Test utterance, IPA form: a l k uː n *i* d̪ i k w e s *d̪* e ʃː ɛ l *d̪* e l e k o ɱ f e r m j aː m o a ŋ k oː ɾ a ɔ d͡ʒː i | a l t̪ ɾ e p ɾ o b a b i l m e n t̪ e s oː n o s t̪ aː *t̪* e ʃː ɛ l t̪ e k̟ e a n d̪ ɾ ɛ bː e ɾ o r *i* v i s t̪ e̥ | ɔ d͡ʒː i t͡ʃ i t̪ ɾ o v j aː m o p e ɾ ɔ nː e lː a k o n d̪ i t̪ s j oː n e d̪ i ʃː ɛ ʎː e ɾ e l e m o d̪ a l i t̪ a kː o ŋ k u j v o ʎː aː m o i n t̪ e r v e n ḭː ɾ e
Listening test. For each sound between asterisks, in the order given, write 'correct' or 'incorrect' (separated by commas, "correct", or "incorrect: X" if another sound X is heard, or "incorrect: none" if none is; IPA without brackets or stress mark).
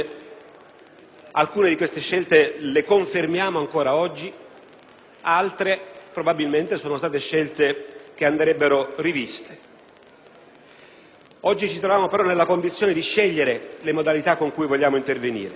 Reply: incorrect: e, incorrect: t̪, incorrect: t̪, correct, correct